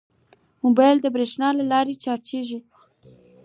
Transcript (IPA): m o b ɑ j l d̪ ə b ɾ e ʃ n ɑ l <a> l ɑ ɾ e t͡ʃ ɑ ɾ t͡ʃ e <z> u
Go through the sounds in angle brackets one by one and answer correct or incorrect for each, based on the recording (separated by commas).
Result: correct, incorrect